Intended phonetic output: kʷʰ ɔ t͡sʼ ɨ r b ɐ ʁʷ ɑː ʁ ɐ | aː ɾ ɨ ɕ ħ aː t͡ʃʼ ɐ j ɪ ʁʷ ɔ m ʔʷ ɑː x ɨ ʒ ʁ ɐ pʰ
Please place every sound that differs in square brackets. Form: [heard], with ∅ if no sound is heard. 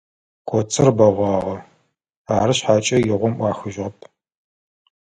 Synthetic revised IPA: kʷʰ ɔ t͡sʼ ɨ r b ɐ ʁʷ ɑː ʁ ɐ | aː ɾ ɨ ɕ ħ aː t͡ʃʼ ɐ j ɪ ʁʷ ɔ m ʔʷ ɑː x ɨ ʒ ʁ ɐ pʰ